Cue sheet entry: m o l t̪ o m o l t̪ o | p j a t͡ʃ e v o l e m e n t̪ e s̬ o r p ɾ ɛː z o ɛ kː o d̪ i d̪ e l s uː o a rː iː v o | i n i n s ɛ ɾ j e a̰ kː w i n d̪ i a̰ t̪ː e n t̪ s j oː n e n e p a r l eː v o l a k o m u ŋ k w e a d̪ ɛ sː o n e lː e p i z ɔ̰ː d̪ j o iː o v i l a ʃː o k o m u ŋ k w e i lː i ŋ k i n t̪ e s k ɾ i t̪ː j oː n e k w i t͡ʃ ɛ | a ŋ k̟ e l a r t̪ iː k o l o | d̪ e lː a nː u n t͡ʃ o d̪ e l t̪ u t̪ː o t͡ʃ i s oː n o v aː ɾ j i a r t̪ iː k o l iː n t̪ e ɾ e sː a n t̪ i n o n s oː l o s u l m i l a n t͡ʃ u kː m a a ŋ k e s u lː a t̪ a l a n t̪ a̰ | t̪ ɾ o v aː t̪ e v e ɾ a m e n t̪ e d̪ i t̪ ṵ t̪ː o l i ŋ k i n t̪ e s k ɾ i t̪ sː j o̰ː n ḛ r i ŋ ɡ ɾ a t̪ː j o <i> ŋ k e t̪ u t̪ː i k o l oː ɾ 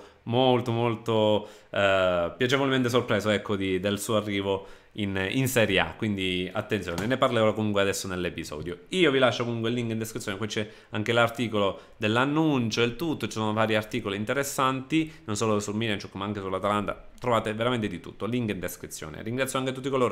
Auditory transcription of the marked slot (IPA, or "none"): a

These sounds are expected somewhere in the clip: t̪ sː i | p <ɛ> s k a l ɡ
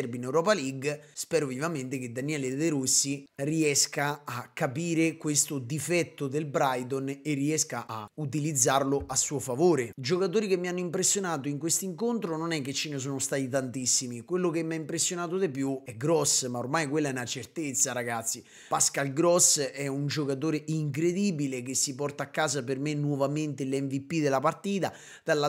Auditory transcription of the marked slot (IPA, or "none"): a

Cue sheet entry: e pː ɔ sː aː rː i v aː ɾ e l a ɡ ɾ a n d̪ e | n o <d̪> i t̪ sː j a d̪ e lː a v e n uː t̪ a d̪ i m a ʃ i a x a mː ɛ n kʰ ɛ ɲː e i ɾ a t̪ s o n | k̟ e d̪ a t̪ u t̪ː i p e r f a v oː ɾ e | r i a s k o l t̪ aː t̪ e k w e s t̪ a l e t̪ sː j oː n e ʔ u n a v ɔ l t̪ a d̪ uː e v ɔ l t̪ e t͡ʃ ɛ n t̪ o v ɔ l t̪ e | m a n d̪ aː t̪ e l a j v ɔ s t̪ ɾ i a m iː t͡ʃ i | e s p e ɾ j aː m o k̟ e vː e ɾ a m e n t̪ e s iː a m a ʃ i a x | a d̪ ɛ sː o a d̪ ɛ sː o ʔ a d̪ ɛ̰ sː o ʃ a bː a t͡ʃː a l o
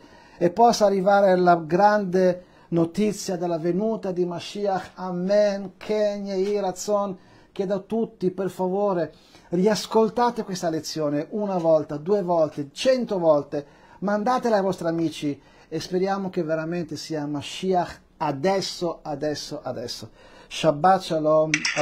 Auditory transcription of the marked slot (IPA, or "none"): t̪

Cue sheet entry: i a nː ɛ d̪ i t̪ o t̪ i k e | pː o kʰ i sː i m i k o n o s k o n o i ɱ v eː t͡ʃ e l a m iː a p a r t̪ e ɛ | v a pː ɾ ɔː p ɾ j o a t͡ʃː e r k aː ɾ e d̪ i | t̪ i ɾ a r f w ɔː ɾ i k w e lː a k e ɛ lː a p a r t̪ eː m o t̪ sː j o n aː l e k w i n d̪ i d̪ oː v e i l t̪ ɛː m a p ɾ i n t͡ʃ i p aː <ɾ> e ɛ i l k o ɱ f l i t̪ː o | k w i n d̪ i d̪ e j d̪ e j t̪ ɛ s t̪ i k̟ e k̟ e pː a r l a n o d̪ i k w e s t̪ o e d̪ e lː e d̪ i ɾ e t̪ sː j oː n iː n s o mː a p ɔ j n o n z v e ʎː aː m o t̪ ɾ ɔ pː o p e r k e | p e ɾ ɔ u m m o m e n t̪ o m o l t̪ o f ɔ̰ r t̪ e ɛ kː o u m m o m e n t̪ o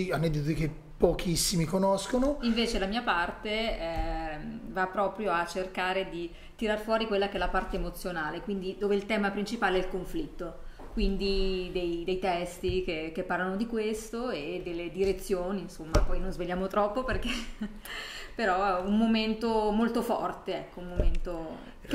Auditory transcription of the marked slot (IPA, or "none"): l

